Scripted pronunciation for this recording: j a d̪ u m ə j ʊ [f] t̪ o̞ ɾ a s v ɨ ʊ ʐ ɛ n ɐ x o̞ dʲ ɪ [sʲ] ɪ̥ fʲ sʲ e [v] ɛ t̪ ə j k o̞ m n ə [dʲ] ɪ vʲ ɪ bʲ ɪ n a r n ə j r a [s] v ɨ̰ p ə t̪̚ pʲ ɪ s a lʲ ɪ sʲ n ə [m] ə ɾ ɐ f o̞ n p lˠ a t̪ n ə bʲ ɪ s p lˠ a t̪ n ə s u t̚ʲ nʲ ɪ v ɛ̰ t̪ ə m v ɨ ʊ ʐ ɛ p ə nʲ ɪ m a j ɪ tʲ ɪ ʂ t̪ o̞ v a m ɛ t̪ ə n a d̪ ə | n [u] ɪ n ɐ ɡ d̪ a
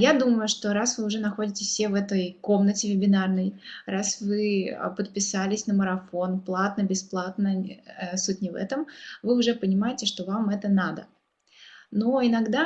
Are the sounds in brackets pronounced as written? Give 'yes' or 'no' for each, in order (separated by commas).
no, no, yes, no, yes, yes, no